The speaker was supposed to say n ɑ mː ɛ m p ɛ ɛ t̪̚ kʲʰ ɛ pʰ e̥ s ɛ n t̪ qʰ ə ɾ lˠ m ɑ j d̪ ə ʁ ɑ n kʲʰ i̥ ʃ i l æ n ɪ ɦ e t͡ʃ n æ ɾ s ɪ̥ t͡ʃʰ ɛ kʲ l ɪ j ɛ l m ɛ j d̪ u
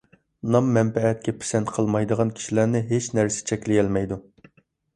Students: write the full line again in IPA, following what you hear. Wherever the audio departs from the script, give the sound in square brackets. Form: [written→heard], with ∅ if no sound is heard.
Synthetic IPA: n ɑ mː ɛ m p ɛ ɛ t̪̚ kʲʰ ɛ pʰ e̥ s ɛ n t̪ qʰ ə [ɾ→∅] lˠ m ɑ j d̪ ə ʁ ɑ n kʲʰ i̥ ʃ i l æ n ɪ ɦ e t͡ʃ n æ ɾ s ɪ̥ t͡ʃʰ ɛ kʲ l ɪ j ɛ l m ɛ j d̪ u